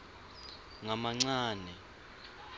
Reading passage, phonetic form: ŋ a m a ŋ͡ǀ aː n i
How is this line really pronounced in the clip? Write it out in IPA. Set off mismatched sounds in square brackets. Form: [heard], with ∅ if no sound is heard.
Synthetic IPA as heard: ŋ a m a ŋ͡ǀ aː n [ɛ]